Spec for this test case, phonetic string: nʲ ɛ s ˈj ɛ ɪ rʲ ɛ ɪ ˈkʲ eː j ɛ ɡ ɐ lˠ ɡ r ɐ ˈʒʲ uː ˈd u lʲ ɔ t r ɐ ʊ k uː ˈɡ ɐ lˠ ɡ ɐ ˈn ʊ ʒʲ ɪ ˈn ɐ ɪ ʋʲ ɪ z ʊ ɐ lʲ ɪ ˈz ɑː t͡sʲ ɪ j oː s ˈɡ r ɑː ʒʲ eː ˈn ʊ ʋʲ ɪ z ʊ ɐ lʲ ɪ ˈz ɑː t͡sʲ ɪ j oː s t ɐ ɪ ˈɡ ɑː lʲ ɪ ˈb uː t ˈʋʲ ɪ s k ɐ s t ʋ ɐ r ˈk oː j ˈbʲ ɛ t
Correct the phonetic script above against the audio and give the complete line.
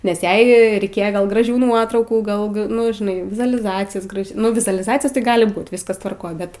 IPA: nʲ ɛ s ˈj ɛ ɪ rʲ ɛ ɪ ˈkʲ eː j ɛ ɡ ɐ lˠ ɡ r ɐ ˈʒʲ uː ˈn u ɔ t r ɐ ʊ k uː ˈɡ ɐ lˠ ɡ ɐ ˈn ʊ ʒʲ ɪ ˈn ɐ ɪ ʋʲ ɪ z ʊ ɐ lʲ ɪ ˈz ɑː t͡sʲ ɪ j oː s ˈɡ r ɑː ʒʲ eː ˈn ʊ ʋʲ ɪ z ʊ ɐ lʲ ɪ ˈz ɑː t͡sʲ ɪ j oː s t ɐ ɪ ˈɡ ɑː lʲ ɪ ˈb uː t ˈʋʲ ɪ s k ɐ s t ʋ ɐ r ˈk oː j ˈbʲ ɛ t